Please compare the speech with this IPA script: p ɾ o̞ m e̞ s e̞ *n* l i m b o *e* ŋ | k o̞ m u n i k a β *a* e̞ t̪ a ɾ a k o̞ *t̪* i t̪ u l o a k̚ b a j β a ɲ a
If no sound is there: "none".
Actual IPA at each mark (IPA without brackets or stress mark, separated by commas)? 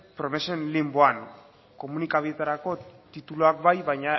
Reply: n, a, i, t̪